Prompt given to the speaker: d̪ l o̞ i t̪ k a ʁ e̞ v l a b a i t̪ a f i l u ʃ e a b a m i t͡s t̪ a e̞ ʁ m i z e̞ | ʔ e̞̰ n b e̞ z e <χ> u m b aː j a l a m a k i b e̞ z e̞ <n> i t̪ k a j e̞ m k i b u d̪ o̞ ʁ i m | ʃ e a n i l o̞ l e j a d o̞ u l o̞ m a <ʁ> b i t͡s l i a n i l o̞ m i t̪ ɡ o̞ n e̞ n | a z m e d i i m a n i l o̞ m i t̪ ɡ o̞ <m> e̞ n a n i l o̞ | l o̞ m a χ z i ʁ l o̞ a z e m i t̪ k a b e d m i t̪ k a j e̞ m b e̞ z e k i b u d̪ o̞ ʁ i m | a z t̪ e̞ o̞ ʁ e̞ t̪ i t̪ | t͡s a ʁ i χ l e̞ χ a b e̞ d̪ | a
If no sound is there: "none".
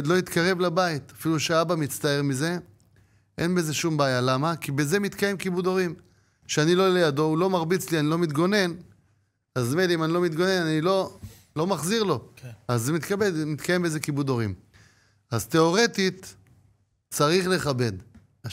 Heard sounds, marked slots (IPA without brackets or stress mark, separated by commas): ʃ, m, ʁ, n